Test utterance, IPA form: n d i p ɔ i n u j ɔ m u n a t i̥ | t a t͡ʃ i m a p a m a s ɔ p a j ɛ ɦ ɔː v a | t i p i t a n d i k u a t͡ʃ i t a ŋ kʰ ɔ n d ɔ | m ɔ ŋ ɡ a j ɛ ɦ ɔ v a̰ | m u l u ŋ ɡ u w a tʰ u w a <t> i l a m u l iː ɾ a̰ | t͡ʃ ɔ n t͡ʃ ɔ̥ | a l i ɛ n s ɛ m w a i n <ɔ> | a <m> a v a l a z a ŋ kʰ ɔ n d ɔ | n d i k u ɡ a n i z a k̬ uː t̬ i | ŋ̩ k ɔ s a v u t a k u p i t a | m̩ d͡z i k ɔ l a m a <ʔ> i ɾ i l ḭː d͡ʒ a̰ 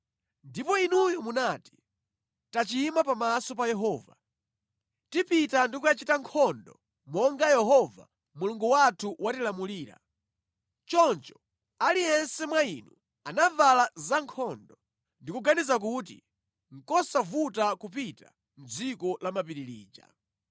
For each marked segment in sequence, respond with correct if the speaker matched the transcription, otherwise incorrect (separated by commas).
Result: correct, incorrect, incorrect, incorrect